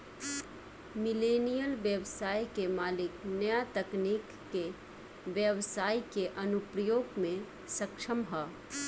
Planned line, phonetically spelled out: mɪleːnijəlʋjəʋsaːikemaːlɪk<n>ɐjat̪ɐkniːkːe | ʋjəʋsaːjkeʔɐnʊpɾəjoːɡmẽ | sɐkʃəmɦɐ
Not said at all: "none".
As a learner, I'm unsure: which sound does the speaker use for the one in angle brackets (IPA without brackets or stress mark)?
n